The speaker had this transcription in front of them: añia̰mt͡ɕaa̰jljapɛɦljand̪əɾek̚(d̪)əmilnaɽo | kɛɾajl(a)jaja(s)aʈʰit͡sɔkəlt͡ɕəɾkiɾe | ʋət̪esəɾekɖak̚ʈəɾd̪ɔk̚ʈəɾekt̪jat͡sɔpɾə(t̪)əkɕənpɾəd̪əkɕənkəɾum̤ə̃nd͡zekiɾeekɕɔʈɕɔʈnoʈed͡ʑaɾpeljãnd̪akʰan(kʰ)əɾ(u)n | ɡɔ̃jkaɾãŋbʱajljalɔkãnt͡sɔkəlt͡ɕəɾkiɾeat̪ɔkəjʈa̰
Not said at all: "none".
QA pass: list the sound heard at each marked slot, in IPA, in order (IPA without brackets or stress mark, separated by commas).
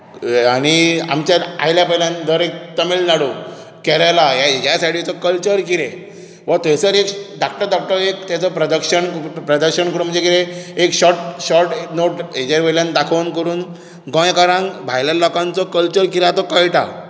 t̪, a, s, d̪, k, uː